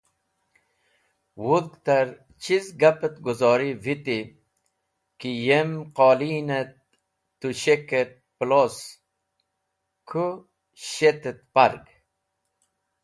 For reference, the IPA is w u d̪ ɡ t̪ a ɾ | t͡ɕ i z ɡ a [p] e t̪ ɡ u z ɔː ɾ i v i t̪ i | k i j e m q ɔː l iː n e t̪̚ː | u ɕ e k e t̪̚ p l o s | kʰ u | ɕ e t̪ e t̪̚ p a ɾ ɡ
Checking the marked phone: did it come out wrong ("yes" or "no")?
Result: no